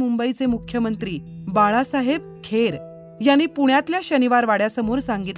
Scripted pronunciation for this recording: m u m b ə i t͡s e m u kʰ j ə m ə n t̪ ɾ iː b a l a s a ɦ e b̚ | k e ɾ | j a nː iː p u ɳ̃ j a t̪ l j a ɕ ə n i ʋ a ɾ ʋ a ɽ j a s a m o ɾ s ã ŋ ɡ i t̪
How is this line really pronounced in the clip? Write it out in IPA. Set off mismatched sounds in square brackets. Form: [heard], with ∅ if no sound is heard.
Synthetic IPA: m u m b ə i t͡s e m u kʰ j ə m ə n t̪ ɾ iː b a [ɭ] a s a ɦ e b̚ | [kʰ] e ɾ | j a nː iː p u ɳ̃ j a t̪ l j a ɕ ə n i ʋ a ɾ ʋ a ɽ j a s [ə] m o ɾ s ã ŋ ɡ i t̪